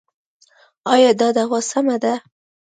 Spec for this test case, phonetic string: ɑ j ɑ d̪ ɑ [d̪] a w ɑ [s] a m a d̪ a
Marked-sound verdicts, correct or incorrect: correct, correct

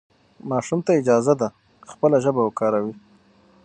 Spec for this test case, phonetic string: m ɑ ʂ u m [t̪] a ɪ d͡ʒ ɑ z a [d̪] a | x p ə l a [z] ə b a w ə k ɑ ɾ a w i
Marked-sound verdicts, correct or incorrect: correct, correct, incorrect

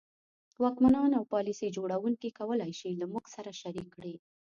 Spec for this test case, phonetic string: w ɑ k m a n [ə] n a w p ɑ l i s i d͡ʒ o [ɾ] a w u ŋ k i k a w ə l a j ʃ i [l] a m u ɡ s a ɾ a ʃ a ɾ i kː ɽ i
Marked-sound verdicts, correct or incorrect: incorrect, incorrect, correct

